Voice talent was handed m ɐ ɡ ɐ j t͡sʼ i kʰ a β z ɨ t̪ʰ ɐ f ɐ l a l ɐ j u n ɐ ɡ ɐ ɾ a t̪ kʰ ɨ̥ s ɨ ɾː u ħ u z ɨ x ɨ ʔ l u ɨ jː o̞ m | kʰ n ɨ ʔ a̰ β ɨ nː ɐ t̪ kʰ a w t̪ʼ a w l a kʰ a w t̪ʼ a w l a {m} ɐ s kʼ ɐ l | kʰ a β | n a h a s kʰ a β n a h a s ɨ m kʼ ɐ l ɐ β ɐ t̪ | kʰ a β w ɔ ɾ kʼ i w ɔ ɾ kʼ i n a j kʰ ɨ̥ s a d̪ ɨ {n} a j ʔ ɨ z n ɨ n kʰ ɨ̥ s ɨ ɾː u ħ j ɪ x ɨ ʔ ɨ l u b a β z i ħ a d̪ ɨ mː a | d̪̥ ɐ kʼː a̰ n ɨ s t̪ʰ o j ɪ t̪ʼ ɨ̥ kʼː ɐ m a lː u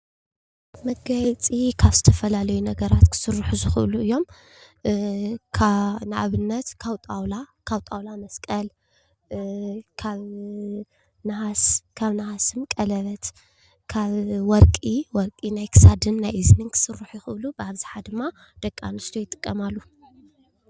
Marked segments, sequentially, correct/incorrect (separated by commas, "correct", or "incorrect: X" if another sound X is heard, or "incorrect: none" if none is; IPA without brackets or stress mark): correct, incorrect: nː